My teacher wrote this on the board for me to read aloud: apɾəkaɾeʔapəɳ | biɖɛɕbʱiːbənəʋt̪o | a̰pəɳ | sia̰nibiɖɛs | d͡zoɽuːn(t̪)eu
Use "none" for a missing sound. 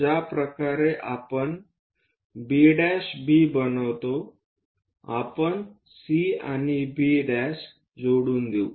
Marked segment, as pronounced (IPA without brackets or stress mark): d̪